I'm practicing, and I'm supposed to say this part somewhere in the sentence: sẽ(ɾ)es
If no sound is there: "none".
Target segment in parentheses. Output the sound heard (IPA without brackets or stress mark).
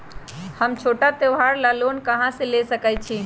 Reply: l